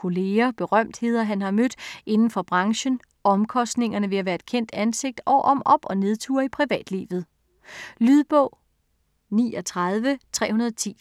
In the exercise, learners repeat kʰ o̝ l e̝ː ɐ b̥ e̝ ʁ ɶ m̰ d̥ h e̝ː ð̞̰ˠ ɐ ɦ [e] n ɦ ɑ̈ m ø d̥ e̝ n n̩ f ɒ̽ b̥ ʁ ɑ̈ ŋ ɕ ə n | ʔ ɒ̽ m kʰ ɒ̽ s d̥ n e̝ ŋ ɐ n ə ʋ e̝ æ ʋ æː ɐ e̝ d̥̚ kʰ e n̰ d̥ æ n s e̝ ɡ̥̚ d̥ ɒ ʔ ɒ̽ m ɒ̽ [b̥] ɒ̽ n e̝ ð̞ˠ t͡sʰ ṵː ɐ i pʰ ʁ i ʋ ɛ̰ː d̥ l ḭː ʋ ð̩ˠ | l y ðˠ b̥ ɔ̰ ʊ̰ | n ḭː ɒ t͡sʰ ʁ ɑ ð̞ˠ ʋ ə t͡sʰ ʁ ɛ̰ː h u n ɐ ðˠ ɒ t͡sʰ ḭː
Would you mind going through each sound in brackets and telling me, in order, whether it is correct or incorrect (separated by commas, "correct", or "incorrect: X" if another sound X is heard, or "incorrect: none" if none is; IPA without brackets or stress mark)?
incorrect: æ, correct